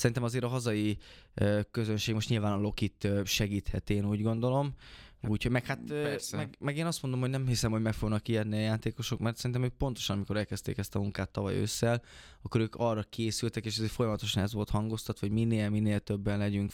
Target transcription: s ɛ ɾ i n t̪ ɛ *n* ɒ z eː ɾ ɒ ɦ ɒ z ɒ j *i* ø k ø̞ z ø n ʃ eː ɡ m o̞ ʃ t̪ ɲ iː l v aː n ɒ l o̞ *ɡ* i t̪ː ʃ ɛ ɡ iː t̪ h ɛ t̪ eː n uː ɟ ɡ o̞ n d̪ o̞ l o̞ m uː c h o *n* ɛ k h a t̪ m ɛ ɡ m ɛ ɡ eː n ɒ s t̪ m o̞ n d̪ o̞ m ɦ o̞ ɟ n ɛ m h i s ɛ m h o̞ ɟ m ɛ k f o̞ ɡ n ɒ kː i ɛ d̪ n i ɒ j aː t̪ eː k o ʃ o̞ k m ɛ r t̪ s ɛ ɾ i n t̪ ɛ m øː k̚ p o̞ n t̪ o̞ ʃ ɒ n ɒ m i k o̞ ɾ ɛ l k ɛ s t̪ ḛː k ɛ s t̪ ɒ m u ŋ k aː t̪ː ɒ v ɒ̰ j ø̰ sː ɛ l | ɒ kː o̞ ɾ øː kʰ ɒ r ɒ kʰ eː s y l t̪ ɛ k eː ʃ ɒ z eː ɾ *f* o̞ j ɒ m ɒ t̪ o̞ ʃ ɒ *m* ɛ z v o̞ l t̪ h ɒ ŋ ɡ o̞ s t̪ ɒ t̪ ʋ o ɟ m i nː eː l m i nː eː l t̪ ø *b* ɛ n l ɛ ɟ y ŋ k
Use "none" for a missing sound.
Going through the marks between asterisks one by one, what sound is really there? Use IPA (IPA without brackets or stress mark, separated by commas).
m, i, k, m, f, n, bː